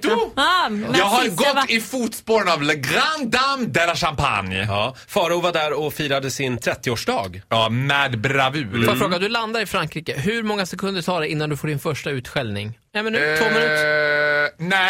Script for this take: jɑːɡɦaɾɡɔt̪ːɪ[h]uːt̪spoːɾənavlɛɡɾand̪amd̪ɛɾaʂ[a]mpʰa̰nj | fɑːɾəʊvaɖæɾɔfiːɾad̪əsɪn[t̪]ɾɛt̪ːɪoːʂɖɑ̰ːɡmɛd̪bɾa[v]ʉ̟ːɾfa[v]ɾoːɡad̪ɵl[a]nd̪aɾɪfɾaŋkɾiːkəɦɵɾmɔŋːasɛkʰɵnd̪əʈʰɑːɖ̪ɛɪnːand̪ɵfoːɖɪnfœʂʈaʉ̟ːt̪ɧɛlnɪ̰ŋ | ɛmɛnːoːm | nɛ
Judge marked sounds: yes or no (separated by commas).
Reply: no, yes, no, yes, no, yes